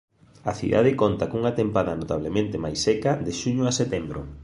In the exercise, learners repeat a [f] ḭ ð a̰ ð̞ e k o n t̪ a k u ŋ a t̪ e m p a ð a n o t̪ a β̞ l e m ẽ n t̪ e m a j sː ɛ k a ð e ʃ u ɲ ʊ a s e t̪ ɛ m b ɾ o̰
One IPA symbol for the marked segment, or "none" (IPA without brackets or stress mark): θ